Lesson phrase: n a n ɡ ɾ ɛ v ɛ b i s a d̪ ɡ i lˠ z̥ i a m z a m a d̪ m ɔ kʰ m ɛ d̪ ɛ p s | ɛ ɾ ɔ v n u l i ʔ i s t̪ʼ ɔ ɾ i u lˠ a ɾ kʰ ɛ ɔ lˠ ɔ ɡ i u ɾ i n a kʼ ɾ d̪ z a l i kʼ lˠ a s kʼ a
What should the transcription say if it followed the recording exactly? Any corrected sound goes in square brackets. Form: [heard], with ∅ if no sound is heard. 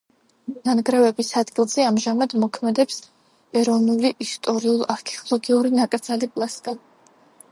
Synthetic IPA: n a n ɡ ɾ ɛ v ɛ b i s a d̪ ɡ i lˠ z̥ [ɛ] a m [ʒ] a m a d̪ m ɔ kʰ m ɛ d̪ ɛ p s | ɛ ɾ ɔ v n u l i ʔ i s t̪ʼ ɔ ɾ i u lˠ a ɾ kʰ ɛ ɔ lˠ ɔ ɡ i u ɾ i n a kʼ ɾ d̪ z a l i [pʼ] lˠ a s kʼ a